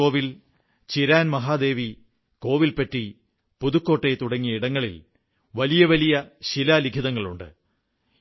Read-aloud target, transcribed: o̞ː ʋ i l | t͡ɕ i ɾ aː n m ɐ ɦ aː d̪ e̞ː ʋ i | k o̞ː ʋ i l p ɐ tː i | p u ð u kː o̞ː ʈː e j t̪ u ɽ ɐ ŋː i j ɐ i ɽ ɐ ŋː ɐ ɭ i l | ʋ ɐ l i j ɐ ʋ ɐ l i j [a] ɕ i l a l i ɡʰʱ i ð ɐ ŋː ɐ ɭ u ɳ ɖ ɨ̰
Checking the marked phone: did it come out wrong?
yes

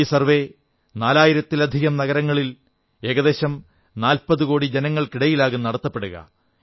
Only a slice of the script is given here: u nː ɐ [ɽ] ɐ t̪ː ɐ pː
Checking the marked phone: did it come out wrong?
no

